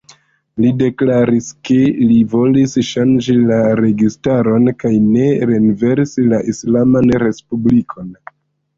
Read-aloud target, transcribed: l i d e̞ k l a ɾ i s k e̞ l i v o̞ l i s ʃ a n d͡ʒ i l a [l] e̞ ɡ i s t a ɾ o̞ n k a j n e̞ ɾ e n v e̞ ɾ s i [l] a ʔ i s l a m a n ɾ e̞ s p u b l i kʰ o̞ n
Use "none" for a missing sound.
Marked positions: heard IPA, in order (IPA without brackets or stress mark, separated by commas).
ɾ, l